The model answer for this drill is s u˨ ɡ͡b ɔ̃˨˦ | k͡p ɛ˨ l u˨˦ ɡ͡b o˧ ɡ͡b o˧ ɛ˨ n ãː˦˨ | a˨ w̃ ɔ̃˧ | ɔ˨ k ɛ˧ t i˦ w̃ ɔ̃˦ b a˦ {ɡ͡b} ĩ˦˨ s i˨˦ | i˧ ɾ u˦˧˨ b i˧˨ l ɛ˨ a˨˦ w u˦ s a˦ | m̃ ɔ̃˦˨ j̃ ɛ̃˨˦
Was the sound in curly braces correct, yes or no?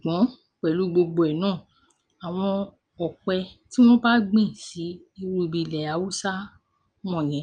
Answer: yes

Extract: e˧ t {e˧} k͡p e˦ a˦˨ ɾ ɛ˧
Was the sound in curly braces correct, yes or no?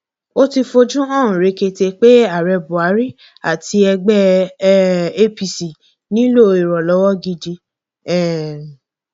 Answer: yes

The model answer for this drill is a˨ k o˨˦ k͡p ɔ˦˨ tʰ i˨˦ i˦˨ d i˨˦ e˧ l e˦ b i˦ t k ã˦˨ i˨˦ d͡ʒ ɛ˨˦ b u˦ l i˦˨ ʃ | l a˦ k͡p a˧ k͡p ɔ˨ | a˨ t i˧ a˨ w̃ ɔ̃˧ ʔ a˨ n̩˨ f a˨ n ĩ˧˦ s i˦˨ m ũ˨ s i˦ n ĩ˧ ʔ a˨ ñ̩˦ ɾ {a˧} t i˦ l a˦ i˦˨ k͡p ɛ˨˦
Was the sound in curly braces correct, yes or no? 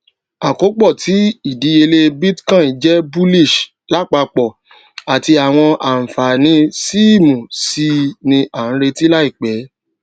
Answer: no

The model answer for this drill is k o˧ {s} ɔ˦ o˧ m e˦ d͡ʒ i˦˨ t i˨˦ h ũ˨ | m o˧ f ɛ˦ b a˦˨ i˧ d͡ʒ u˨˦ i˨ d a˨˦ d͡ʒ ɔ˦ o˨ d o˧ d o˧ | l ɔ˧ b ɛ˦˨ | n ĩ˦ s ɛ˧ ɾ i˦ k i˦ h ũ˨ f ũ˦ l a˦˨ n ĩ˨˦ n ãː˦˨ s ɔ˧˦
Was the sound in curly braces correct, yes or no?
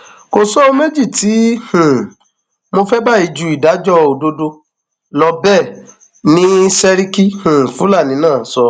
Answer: yes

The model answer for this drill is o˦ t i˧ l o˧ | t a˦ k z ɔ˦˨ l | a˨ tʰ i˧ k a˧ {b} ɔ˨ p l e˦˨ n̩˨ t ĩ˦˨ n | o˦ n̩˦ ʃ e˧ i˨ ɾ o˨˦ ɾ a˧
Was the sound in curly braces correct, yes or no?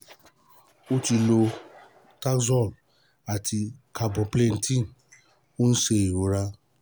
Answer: yes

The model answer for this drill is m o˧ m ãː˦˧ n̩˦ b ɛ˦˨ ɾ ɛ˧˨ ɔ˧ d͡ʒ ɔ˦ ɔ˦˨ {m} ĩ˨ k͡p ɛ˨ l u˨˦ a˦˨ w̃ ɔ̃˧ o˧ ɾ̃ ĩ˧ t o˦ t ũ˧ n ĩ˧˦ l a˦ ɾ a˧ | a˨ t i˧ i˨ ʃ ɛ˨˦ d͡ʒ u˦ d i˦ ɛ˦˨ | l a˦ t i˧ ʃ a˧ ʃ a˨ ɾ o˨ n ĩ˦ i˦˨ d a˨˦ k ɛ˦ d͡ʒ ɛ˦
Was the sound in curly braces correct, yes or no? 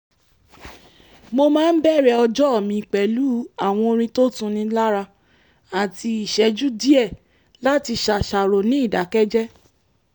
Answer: yes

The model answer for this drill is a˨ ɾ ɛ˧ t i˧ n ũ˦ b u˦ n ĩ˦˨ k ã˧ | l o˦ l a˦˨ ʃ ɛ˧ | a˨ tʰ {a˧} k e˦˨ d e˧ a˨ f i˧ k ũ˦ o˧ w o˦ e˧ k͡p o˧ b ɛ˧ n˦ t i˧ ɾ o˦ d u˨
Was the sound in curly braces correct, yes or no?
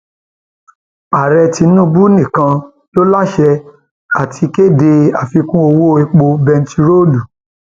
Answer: no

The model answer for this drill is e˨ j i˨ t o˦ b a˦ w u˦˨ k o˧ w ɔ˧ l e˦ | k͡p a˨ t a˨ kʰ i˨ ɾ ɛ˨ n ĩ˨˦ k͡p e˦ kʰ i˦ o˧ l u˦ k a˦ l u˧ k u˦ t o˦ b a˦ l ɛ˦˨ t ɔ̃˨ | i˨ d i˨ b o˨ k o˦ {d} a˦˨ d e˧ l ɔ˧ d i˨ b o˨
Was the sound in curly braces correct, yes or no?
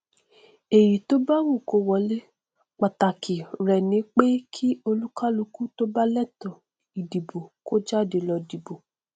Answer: no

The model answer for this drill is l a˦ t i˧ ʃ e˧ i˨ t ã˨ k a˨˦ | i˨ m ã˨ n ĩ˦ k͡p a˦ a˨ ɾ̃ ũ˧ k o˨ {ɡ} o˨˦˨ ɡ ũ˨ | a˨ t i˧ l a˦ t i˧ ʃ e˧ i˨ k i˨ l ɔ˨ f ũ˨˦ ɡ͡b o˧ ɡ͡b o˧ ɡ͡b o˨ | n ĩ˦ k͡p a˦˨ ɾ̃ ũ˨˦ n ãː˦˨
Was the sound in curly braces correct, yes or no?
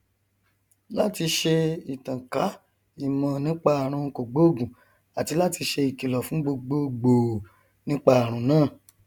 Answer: no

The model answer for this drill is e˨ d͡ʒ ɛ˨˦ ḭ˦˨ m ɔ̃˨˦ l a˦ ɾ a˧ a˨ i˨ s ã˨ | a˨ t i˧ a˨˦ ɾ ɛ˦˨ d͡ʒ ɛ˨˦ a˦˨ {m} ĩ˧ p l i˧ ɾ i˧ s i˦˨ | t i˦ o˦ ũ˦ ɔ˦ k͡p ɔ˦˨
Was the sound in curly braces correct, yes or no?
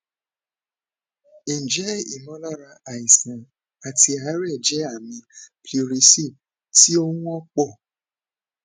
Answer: yes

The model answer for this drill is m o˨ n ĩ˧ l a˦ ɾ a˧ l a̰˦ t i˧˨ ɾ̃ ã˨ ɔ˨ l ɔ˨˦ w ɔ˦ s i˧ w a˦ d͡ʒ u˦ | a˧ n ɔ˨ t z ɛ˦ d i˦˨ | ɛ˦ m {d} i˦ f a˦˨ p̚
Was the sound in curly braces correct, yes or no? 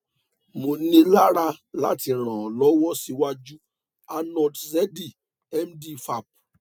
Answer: yes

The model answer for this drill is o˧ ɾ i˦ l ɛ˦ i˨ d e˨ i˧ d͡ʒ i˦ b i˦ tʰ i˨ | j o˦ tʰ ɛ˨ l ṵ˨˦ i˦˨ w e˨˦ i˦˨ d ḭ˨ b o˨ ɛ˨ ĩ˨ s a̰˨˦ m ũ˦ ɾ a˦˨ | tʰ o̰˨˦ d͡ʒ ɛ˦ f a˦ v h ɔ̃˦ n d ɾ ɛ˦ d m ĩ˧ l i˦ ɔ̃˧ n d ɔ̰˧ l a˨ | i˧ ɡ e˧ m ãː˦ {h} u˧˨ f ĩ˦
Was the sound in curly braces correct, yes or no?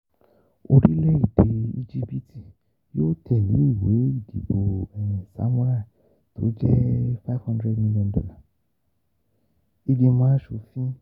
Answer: no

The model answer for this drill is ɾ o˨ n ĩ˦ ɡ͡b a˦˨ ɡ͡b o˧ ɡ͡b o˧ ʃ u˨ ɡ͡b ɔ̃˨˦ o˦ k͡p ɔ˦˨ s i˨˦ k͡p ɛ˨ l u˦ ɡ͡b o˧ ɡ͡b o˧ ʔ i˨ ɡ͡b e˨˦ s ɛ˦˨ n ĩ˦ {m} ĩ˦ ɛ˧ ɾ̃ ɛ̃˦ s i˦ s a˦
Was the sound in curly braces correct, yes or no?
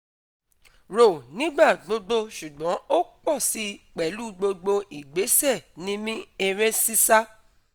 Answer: yes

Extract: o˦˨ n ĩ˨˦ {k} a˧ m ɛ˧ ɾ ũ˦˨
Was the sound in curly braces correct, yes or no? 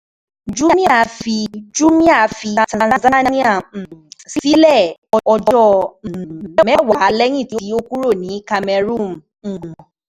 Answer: yes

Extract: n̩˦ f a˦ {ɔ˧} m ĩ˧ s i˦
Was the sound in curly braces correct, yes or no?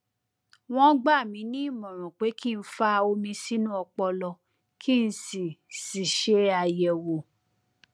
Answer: no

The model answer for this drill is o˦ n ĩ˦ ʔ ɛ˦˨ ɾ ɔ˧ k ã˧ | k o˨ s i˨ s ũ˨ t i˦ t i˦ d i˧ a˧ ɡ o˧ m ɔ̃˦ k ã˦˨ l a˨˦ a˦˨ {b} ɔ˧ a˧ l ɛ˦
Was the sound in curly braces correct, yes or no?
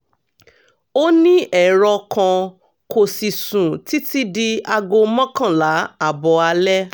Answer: yes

